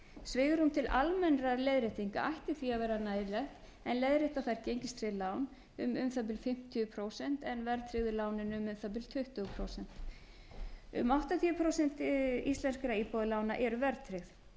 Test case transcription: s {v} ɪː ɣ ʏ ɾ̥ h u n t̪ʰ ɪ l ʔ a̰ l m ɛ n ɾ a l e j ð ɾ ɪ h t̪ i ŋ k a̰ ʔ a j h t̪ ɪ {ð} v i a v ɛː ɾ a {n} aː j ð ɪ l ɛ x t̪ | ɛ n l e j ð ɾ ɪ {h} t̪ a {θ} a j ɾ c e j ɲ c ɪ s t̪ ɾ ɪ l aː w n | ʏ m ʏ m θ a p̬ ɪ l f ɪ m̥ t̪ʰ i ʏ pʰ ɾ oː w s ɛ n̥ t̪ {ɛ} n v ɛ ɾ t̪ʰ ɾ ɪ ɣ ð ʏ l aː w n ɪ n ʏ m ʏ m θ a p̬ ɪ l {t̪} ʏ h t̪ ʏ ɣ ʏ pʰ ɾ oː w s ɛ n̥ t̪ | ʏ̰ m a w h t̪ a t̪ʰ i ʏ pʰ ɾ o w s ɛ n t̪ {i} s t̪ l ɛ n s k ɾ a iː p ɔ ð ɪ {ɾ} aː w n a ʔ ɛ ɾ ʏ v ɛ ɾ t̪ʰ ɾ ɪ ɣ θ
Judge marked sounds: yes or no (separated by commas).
yes, no, yes, yes, yes, yes, no, yes, no